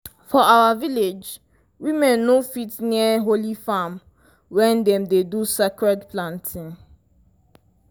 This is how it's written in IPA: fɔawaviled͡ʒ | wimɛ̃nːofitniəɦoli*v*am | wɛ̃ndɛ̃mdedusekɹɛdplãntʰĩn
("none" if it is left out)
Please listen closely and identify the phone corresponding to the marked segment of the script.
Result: f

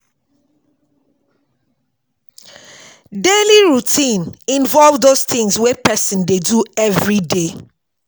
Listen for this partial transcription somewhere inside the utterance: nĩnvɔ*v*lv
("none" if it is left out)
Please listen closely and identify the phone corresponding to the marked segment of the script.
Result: none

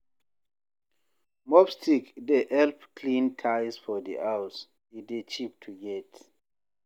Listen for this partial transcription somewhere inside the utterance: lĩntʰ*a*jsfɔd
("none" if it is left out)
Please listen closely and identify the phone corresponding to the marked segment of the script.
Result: a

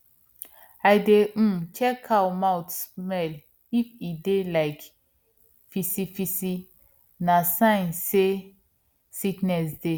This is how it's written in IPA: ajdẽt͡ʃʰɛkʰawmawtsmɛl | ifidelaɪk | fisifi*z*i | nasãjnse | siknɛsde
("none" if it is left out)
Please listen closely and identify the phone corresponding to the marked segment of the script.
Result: s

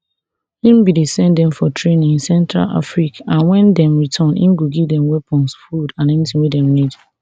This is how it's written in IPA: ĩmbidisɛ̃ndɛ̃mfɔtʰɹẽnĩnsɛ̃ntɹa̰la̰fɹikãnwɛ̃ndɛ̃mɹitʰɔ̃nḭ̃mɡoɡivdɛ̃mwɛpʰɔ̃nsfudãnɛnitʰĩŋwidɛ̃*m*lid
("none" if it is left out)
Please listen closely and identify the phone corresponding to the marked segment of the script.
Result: m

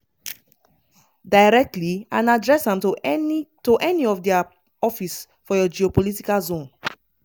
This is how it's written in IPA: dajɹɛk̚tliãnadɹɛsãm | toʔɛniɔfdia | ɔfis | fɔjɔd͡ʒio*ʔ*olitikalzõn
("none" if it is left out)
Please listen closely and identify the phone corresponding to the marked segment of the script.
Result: p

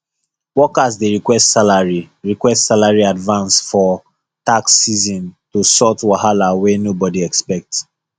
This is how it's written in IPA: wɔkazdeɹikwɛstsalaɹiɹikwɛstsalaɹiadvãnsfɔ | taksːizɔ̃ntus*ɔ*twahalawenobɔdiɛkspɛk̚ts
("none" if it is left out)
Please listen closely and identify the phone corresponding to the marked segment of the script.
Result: ɔ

